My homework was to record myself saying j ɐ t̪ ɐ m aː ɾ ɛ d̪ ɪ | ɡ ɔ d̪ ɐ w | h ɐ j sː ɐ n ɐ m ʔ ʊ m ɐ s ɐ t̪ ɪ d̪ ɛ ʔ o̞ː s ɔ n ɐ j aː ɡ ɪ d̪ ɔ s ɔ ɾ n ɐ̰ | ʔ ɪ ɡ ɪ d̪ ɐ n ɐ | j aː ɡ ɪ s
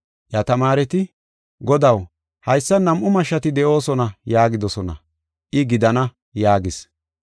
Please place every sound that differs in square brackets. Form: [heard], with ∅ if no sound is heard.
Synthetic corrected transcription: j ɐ t̪ ɐ m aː ɾ ɛ [t̪] ɪ | ɡ ɔ d̪ ɐ w | h ɐ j sː ɐ n ɐ m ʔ ʊ m ɐ [ʃ] ɐ t̪ ɪ d̪ ɛ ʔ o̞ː s ɔ n ɐ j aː ɡ ɪ d̪ ɔ s ɔ [∅] n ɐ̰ | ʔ ɪ ɡ ɪ d̪ ɐ n ɐ | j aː ɡ ɪ s